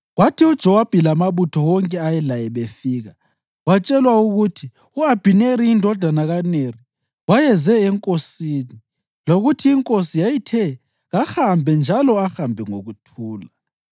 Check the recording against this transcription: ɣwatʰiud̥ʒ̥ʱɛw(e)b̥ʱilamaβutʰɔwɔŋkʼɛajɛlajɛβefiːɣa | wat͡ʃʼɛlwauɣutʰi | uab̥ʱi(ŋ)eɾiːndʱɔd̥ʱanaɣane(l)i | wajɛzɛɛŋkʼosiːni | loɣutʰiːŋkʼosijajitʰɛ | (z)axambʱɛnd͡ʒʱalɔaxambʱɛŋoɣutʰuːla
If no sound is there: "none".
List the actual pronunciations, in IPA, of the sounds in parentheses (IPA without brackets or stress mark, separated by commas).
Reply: a, n, r, ɣ